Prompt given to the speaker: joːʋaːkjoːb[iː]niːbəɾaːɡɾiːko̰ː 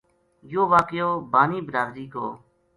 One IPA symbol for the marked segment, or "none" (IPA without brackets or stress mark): aː